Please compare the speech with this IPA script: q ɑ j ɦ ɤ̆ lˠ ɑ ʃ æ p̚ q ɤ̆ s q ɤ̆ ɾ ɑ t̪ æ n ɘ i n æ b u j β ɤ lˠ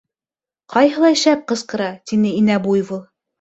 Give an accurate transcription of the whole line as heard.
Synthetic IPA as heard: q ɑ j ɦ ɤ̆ lˠ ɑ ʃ æ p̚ q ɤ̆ s q ɤ̆ ɾ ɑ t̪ i n ɘ i n æ b u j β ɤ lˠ